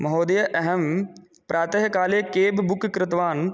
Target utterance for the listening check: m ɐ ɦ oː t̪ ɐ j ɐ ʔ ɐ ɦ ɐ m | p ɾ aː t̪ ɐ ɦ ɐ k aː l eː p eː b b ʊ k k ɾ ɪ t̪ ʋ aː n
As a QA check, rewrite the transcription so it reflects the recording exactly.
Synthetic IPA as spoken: m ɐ ɦ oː d̪ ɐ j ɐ ʔ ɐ ɦ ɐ m | p ɾ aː t̪ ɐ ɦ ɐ k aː l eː k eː b b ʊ k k ɾ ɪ t̪ ʋ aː n